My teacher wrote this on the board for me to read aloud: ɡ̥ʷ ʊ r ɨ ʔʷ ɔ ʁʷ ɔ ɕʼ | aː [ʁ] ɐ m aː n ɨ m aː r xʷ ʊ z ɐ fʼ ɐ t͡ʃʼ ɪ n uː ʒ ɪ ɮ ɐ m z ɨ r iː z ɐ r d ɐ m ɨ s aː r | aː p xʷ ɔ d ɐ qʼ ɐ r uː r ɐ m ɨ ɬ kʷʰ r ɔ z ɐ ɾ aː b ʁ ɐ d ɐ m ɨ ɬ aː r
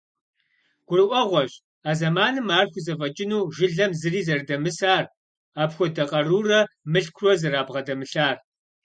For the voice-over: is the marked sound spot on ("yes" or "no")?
no